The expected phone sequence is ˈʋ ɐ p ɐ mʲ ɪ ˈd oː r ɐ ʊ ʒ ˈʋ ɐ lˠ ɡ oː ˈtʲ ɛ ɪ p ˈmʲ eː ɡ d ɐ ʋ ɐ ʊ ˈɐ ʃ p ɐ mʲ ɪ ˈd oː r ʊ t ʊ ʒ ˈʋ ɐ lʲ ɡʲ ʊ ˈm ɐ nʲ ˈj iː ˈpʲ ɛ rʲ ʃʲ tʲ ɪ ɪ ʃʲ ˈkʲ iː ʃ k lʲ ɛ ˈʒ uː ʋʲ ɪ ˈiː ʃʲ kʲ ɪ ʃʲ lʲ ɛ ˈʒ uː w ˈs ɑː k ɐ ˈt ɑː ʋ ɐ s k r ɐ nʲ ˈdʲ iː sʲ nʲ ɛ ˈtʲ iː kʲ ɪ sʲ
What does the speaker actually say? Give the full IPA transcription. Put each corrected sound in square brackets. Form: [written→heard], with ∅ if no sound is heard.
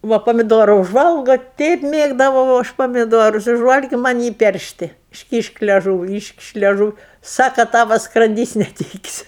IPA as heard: ˈʋ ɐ p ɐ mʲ ɪ ˈd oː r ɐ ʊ ʒ ˈʋ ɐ lˠ ɡ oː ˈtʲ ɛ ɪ p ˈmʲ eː ɡ d ɐ ʋ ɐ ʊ ˈɐ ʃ p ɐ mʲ ɪ ˈd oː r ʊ [t→s] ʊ ʒ ˈʋ ɐ lʲ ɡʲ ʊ ˈm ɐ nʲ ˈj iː ˈpʲ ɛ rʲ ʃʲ tʲ ɪ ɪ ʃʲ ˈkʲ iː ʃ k lʲ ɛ ˈʒ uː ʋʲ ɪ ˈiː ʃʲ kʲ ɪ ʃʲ lʲ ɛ ˈʒ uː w ˈs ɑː k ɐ ˈt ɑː ʋ ɐ s k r ɐ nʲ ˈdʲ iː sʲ nʲ ɛ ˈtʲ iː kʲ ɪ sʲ

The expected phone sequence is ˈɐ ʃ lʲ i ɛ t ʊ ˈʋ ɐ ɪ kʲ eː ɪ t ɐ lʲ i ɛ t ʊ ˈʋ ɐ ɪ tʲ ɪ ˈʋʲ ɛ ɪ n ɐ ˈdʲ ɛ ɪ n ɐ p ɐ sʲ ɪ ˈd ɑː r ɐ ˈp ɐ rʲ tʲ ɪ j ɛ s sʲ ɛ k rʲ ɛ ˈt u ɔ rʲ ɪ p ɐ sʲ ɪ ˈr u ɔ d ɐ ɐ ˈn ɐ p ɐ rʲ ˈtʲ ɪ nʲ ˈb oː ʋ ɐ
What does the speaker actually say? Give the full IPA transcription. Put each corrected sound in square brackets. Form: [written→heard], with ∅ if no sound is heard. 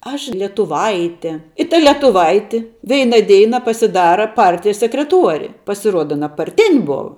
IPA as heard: ˈɐ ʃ lʲ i ɛ t ʊ ˈʋ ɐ ɪ [kʲ→tʲ] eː ɪ t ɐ lʲ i ɛ t ʊ ˈʋ ɐ ɪ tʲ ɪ ˈʋʲ ɛ ɪ n ɐ ˈdʲ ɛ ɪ n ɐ p ɐ sʲ ɪ ˈd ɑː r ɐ ˈp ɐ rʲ tʲ ɪ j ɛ s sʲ ɛ k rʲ ɛ ˈt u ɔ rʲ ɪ p ɐ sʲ ɪ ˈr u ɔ d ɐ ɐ ˈn ɐ p ɐ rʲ ˈtʲ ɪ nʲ ˈb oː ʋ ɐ

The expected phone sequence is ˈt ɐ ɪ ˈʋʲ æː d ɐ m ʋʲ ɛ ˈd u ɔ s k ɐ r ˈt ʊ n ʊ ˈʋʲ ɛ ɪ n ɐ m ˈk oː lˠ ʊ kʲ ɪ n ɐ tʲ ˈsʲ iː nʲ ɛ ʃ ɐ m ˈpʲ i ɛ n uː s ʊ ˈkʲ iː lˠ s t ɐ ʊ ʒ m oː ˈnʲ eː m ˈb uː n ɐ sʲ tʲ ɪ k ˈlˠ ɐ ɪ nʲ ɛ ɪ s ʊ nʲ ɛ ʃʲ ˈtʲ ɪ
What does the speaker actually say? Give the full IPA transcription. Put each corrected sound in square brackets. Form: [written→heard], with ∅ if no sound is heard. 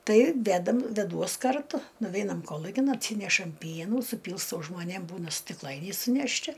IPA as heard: ˈt ɐ ɪ ˈʋʲ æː d ɐ m ʋʲ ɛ ˈd u ɔ s k ɐ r ˈt ʊ n ʊ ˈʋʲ ɛ ɪ n ɐ m ˈk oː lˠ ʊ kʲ ɪ n ɐ tʲ ˈsʲ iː nʲ ɛ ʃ ɐ m ˈpʲ i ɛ n uː s ʊ [ˈkʲ→ˈpʲ] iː lˠ s t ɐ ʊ ʒ m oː ˈnʲ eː m ˈb uː n ɐ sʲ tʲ ɪ k ˈlˠ ɐ ɪ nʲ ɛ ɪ s ʊ nʲ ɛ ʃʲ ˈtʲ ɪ

